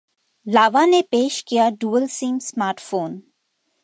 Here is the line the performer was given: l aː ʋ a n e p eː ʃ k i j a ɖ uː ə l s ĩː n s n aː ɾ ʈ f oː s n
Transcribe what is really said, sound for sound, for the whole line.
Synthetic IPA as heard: l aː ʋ a n e p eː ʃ k i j a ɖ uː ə l s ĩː m s m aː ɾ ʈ f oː n